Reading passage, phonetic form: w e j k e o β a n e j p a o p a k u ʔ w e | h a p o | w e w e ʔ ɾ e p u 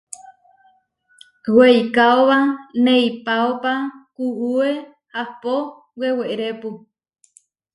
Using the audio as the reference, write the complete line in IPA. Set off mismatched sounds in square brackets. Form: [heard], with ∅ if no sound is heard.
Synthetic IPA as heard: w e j k [a] o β a n e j p a o p a k u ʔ [u] e | h a p o | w e w e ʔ ɾ e p u